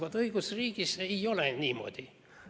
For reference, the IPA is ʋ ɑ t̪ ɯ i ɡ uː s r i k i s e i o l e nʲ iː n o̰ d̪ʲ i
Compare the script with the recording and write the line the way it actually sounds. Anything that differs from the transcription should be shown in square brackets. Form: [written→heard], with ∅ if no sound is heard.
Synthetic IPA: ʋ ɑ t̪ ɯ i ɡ [uː→u] s r [i→iː] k i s e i o l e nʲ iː [n→m] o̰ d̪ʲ i